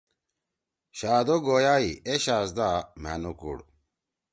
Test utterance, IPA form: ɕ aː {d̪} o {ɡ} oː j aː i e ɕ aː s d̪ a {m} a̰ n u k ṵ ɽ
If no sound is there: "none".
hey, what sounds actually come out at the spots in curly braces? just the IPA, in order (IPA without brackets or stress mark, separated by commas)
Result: d̪, ɡ, m